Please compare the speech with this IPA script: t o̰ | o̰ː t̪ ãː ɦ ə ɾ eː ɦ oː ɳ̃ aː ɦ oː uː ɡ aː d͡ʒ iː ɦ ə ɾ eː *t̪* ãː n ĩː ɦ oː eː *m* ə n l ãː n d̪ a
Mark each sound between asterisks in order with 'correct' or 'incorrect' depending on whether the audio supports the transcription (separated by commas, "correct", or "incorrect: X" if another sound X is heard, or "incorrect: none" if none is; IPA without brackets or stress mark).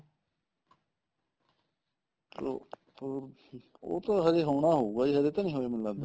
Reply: correct, correct